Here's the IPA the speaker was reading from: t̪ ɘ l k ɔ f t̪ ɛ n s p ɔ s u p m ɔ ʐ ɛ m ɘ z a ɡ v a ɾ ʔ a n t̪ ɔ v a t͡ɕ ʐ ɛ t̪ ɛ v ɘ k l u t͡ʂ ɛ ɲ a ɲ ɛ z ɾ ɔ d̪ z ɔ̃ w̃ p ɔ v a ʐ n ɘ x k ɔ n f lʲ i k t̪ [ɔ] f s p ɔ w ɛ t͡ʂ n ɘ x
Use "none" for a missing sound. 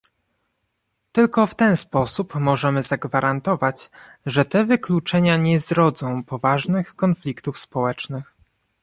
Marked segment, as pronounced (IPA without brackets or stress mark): u